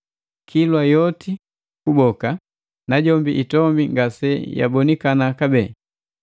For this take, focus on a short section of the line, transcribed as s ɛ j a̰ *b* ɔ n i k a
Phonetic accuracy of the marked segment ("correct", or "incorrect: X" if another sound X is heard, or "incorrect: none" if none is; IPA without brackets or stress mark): correct